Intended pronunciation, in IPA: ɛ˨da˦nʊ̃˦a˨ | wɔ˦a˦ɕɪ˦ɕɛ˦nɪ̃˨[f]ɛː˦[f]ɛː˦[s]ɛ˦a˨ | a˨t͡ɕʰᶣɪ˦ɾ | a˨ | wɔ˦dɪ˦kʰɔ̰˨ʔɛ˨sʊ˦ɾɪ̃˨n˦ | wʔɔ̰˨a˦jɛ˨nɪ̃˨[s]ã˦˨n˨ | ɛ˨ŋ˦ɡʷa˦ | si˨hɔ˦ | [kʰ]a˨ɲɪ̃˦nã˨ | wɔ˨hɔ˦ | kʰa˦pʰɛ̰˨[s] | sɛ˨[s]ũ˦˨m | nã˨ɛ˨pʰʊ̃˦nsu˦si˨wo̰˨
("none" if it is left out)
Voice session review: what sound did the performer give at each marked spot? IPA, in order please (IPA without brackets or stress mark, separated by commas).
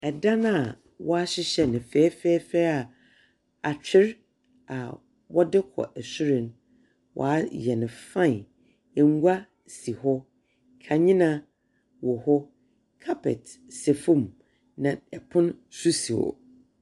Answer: f, f, f, f, kʰ, t, f